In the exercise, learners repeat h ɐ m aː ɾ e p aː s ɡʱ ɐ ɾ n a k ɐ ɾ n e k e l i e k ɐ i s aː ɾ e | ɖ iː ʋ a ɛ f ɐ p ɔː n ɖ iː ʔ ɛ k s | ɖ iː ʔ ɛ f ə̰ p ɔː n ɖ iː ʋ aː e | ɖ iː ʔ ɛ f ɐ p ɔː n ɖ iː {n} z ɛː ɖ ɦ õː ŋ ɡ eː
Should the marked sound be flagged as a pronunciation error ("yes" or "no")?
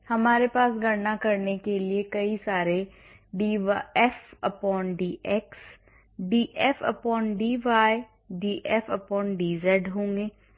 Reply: yes